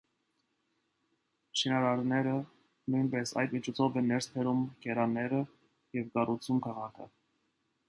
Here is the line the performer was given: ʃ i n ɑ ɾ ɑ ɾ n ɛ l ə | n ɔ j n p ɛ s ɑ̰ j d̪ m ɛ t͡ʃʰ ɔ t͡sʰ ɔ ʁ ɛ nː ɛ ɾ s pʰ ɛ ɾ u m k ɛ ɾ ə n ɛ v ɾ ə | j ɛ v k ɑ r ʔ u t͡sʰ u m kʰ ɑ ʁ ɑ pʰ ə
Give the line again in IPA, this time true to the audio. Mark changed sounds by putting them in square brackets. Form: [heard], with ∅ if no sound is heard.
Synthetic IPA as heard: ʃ i n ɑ ɾ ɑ ɾ n ɛ [ɾ] ə | n [u] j n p ɛ s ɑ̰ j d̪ m [i] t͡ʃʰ ɔ t͡sʰ ɔ [v] ɛ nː ɛ ɾ s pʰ ɛ ɾ u m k ɛ ɾ [ɑ] n ɛ [∅] ɾ ə | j ɛ v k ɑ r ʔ u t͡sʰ u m kʰ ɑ ʁ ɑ [kʰ] ə